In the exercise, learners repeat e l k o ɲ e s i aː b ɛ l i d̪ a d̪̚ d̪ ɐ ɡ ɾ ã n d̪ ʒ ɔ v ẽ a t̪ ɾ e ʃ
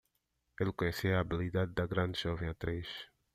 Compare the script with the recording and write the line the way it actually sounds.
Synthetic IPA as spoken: e l k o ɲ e s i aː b i l i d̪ a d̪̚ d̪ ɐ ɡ ɾ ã n d̪ ʒ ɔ v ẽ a t̪ ɾ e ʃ

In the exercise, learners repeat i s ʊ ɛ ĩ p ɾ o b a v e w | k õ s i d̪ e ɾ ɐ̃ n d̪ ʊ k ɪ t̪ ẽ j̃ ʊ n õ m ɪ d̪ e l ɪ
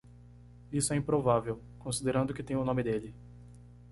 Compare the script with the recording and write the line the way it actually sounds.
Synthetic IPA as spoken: i s ʊ ɛ ĩ p ɾ o v a v e w | k õ s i d̪ e ɾ ɐ̃ n d̪ ʊ k ɪ t̪ ẽ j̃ ʊ n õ m ɪ d̪ e l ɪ

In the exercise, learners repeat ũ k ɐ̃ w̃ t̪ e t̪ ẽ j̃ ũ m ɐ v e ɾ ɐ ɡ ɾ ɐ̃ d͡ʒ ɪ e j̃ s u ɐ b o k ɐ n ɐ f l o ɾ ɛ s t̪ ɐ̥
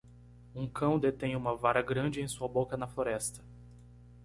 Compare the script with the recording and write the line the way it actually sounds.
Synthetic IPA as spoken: ũ k ɐ̃ w̃ d̪ e t̪ ẽ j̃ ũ m ɐ v a ɾ ɐ ɡ ɾ ɐ̃ d͡ʒ ɪ ẽ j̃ s u ɐ b o k ɐ n ɐ f l o ɾ ɛ s t̪ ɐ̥

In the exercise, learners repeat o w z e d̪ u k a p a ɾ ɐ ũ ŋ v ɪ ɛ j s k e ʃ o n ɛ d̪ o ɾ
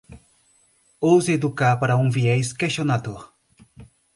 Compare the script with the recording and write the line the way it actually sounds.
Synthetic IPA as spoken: o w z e d̪ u k a p a ɾ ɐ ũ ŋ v i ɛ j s k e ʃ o n a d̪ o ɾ

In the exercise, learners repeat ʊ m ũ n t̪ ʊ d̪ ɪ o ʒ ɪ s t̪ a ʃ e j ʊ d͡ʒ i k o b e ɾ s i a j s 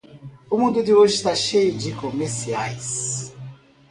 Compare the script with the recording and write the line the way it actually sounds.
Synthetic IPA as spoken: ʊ m ũ n d̪ ʊ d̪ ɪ o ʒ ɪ s t̪ a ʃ e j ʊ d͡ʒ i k o m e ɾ s i a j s

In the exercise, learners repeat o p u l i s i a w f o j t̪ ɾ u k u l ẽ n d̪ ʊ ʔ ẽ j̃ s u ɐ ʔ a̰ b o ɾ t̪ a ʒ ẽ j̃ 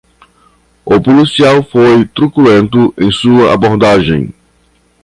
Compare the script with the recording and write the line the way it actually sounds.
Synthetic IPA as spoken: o p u l i s i a w f o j t̪ ɾ u k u l ẽ n t̪ ʊ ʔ ẽ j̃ s u ɐ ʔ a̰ b o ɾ d̪ a ʒ ẽ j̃

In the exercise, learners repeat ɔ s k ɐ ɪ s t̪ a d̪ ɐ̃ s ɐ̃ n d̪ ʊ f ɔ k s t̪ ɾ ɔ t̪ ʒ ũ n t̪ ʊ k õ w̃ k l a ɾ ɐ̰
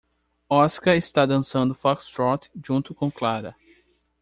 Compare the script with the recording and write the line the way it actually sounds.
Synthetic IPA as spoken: ɔ s k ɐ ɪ s t̪ a d̪ ɐ̃ s ɐ̃ n d̪ ʊ f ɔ k s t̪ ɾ ɔ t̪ ʒ ũ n t̪ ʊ k õ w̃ k l a ɾ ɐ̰

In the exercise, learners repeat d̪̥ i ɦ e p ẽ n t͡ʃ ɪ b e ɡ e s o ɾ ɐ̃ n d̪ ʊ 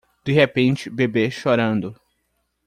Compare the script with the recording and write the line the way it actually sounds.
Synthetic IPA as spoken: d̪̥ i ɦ e p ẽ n t͡ʃ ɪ b e b e ʃ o ɾ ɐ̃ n d̪ ʊ

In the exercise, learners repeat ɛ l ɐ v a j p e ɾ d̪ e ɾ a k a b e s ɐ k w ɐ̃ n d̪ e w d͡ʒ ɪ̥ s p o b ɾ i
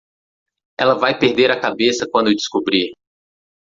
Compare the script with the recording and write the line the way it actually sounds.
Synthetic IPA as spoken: ɛ l ɐ v a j p e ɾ d̪ e ɾ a k a b e s ɐ k w ɐ̃ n d̪ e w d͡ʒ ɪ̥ s k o b ɾ i

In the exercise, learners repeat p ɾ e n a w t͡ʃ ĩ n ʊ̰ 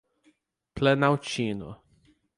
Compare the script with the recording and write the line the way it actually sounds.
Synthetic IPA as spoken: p l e n a w t͡ʃ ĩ n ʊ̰

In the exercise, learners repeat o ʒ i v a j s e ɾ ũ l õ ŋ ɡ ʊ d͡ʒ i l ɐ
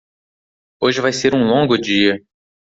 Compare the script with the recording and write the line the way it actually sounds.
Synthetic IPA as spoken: o ʒ ɪ v a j s e ɾ ũ l õ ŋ ɡ ʊ d͡ʒ i ɐ

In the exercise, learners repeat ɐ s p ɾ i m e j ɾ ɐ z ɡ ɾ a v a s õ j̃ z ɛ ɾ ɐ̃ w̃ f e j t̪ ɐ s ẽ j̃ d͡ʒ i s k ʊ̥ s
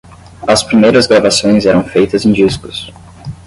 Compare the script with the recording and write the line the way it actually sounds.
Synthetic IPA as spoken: ɐ s p ɾ i m e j ɾ ɐ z ɡ ɾ a v a s õ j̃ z ɛ ɾ ɐ̃ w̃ f e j t̪ ɐ z ẽ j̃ d͡ʒ i s k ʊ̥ s

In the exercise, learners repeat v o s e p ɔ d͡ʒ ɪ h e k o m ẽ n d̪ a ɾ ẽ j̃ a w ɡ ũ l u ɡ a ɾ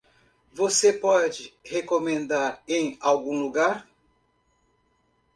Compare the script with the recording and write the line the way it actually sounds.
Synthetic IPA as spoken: v o s e p ɔ d͡ʒ ɪ h e k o m ẽ n d̪ a ɾ ẽ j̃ a w ɡ ũ l u ɡ a ɾ

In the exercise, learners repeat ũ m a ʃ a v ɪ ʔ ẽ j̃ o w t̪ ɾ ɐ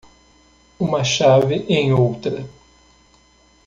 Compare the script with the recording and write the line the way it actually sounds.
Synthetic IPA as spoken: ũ m ɐ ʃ a v ɪ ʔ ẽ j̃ o w t̪ ɾ ɐ

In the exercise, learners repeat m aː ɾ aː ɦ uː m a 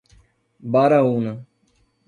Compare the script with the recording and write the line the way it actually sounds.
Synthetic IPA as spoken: b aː ɾ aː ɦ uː n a

